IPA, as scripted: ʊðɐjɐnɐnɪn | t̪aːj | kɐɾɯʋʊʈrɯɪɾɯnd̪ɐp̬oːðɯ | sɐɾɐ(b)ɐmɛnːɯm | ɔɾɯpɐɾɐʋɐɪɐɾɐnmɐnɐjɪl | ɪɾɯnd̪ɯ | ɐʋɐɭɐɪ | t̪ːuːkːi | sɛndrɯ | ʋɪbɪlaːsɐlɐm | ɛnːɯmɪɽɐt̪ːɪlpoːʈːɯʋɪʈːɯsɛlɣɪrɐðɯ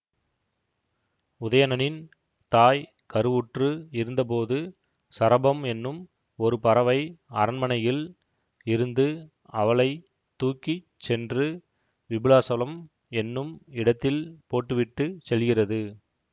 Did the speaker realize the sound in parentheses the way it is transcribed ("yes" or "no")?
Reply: yes